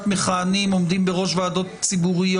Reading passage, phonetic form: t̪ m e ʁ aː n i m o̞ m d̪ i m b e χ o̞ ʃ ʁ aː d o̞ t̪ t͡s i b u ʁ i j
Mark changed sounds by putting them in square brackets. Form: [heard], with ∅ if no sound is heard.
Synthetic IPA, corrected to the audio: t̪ m e [χ] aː n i m o̞ m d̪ i m b e [ʁ] o̞ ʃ [v] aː d o̞ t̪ t͡s i b u ʁ i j